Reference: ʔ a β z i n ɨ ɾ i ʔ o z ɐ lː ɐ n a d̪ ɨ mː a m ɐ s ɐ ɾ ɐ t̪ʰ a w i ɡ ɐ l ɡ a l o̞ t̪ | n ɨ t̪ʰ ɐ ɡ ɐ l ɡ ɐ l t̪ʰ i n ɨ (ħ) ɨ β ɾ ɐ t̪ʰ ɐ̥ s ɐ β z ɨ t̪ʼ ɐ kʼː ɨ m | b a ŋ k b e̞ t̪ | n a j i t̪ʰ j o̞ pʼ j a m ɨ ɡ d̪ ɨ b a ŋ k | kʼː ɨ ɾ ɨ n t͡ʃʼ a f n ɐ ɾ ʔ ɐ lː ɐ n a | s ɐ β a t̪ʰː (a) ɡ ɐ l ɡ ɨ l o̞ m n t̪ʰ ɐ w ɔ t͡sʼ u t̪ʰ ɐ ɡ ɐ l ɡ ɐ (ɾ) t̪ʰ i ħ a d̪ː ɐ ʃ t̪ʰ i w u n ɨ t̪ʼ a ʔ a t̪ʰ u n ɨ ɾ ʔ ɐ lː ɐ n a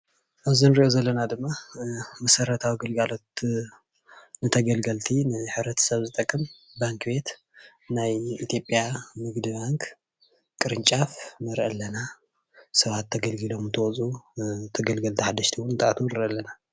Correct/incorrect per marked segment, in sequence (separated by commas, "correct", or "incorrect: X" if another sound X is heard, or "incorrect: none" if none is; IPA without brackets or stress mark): correct, incorrect: ɐ, incorrect: l